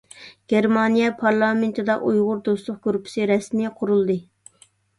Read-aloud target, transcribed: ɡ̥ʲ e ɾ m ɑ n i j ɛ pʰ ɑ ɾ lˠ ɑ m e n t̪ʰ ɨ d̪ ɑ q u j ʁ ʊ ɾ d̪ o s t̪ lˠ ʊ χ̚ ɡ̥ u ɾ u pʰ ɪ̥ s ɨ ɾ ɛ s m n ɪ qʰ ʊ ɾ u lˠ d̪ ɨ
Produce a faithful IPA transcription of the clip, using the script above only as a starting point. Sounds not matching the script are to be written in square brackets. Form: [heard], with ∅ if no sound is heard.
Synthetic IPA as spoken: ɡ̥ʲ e ɾ m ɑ n i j ɛ pʰ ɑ ɾ lˠ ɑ m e n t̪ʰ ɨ d̪ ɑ [ʔ] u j ʁ ʊ ɾ d̪ o s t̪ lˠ ʊ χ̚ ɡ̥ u ɾ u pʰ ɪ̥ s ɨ ɾ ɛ s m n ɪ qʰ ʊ ɾ u lˠ d̪ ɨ